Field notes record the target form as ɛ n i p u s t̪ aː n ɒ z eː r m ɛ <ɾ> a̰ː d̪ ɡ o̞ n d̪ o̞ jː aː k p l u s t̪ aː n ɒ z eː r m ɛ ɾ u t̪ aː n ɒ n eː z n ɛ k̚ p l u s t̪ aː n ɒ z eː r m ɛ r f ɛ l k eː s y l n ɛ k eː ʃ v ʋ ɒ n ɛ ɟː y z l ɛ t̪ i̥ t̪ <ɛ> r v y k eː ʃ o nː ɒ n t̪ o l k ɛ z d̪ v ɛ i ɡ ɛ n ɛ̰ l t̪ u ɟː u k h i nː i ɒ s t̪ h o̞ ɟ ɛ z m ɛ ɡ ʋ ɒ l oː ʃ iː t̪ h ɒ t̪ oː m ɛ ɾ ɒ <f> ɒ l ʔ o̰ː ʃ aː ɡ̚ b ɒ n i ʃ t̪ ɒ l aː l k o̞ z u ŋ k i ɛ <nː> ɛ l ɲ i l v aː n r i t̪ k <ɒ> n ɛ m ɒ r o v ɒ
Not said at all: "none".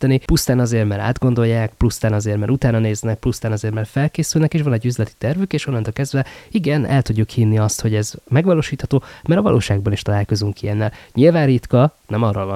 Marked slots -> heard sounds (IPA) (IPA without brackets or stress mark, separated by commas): ɾ, ɛ, v, nː, ɒ